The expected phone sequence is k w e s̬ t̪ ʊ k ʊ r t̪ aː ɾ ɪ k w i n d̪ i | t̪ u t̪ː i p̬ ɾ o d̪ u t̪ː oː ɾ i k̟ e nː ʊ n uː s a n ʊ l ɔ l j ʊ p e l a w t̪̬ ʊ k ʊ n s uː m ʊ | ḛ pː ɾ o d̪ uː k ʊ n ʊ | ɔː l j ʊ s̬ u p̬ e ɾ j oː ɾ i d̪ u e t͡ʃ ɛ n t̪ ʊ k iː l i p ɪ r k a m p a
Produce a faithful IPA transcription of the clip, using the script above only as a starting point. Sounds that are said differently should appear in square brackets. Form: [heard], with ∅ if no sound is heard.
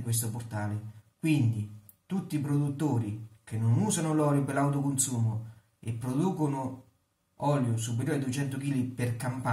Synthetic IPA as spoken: k w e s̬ t̪ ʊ [p] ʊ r t̪ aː [l] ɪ k w i n d̪ i | t̪ u t̪ː i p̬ ɾ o d̪ u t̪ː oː ɾ i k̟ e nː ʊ n uː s a n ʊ l ɔ l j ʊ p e l a w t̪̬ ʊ k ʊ n s uː m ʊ | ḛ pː ɾ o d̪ uː k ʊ n ʊ | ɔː l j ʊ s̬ u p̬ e ɾ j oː ɾ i d̪ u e t͡ʃ ɛ n t̪ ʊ k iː l i p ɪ r k a m p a

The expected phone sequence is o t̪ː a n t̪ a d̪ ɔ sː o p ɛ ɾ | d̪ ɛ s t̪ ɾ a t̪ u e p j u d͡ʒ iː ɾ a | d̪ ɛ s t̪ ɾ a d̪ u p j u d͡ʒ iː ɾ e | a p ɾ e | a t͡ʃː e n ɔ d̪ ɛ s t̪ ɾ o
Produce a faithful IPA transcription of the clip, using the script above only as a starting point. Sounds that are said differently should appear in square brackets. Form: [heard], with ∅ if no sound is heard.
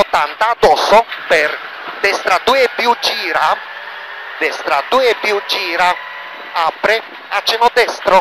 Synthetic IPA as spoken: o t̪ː a n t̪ a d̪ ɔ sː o p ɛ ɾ | d̪ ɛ s t̪ ɾ a [d̪] u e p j u d͡ʒ iː ɾ a | d̪ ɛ s t̪ ɾ a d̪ u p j u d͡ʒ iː ɾ [a] | a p ɾ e | a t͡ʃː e n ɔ d̪ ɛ s t̪ ɾ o

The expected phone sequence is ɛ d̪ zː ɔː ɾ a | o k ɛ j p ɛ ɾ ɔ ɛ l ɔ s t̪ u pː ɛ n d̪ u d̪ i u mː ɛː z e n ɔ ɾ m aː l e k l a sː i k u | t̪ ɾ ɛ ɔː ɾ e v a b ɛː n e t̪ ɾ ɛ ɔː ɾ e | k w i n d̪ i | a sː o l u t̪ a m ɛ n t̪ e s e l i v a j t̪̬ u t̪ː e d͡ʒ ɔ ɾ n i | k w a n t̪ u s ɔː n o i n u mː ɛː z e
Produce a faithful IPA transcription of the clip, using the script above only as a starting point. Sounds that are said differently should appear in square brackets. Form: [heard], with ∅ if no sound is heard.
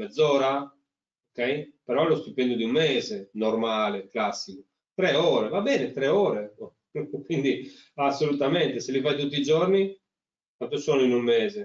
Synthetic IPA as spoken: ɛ d̪ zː ɔː ɾ a | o k ɛ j p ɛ ɾ ɔ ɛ l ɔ s t̪ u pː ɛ n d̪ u d̪ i u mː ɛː z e n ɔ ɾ m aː l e k l a sː i k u | t̪ ɾ ɛ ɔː ɾ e v a b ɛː n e t̪ ɾ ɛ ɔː ɾ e | k w i n d̪ i | a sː o l u t̪ a m ɛ n t̪ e s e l i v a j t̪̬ u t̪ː [i] d͡ʒ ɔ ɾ n i | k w a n t̪ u s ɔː n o i n u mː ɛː z e

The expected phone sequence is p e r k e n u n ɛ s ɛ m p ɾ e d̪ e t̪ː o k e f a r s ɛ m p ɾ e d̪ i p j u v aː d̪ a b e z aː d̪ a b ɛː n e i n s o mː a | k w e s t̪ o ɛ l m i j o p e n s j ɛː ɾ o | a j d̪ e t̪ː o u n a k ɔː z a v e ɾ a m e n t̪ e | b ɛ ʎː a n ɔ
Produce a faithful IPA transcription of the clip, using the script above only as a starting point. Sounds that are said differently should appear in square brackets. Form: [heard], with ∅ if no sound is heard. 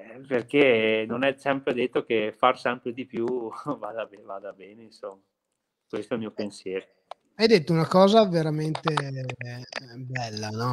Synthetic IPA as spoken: p e r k e n [o] n ɛ s ɛ m p ɾ e d̪ e t̪ː o k e f a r s ɛ m p ɾ e d̪ i p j u v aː d̪ a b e [v] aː d̪ a b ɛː n e i n s o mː a | k w e s t̪ o ɛ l m i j o p e n s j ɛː ɾ o | a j d̪ e t̪ː o u n a k ɔː z a v e ɾ a m e n t̪ e | b ɛ [lː] a n ɔ

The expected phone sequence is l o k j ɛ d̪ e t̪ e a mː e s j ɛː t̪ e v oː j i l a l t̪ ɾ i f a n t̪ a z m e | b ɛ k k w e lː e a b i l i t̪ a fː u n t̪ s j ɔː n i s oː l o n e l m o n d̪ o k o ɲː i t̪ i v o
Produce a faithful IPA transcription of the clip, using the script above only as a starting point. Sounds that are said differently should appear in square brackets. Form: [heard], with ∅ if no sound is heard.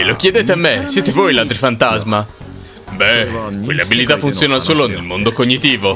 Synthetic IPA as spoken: l o k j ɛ d̪ e t̪ e a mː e s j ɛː t̪ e v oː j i l a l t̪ ɾ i f a n t̪ a z m [a] | b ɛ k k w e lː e a b i l i t̪ a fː u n t̪ s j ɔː n [a] s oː l o n e l m o n d̪ o k o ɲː i t̪ [iː] v o

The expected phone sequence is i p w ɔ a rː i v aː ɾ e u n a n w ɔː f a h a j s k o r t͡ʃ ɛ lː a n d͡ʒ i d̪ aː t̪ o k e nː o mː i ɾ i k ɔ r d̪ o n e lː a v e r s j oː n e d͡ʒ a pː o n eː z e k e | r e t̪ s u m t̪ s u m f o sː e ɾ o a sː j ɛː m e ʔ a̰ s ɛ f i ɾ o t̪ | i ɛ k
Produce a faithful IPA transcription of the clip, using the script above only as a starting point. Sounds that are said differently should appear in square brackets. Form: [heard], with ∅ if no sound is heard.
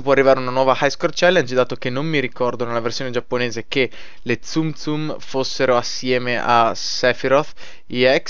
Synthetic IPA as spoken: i p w ɔ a rː i v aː ɾ e u n a n w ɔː [v] a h a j s k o r t͡ʃ ɛ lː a n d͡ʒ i d̪ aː t̪ o k e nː o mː i ɾ i k ɔ r d̪ o n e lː a v e r s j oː n e d͡ʒ a pː o n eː z e k e | [l] e t̪ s u m t̪ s u m f o sː e ɾ o a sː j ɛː m e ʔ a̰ s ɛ f i ɾ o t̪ | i ɛ k

